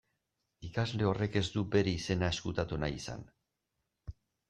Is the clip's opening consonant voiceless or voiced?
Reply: voiceless